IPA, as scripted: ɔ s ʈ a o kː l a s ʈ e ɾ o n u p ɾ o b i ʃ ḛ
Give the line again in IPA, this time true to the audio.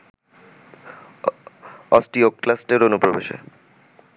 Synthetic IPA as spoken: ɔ s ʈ i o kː l a s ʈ e ɾ o n u p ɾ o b e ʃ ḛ

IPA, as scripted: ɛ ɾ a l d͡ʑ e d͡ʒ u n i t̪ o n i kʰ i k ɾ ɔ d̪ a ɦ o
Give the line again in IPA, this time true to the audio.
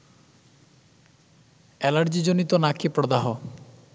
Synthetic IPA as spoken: ɛ l a ɾ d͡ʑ i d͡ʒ o n i t̪ o n a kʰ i p ɾ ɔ d̪ a ɦ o

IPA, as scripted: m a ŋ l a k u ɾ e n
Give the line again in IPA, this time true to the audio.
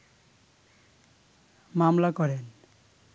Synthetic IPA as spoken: m a m l a k ɔ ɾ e n

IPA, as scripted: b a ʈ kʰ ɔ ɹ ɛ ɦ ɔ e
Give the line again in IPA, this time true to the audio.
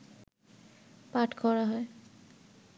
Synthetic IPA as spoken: p a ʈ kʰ ɔ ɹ a ɦ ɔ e

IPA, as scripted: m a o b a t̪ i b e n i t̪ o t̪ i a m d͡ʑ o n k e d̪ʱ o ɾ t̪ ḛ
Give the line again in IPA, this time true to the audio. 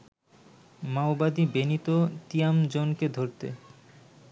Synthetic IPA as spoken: m a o b a d̪ i b e n i t̪ o t̪ i a m d͡ʑ o n k e d̪ʱ o ɾ t̪ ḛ

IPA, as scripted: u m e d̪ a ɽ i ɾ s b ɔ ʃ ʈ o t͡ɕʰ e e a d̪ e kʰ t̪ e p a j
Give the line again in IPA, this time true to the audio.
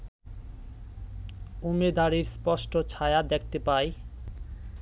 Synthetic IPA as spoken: u m e d̪ a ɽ i ɾ s p ɔ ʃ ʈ o t͡ɕʰ a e a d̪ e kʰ t̪ e p a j

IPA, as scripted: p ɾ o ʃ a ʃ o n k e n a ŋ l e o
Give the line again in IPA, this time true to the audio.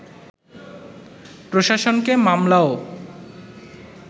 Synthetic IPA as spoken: p ɾ o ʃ a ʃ o n k e m a m l a o

